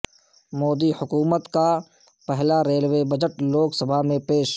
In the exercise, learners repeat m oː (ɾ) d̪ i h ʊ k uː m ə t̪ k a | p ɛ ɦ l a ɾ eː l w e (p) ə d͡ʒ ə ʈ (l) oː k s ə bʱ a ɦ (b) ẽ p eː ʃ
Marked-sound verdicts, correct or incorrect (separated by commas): incorrect, incorrect, correct, incorrect